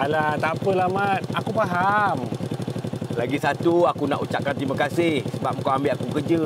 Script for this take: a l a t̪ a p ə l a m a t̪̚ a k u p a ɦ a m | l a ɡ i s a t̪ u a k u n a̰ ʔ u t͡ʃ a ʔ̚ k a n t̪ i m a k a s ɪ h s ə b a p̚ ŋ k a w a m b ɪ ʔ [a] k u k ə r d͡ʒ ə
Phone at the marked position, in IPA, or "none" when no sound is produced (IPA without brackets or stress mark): a